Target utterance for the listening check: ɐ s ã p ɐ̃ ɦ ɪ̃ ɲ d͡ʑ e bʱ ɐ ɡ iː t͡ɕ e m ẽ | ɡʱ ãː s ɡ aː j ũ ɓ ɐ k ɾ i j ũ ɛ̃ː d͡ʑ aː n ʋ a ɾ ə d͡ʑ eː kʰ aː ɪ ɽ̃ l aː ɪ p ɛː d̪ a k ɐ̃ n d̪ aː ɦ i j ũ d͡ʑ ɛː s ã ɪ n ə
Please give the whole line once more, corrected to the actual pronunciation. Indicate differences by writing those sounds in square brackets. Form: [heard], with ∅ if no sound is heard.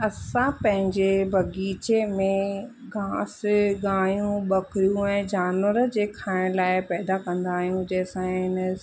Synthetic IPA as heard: ɐ s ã p ɐ̃ ɦ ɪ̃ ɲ d͡ʑ e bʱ ɐ ɡ iː t͡ɕ e m ẽ | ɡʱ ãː s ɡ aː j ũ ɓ ɐ k ɾ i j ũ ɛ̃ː d͡ʑ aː n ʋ [ə] ɾ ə d͡ʑ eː kʰ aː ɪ ɽ̃ l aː ɪ p ɛː d̪ a k ɐ̃ n d̪ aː ɦ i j ũ d͡ʑ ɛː s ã ɪ n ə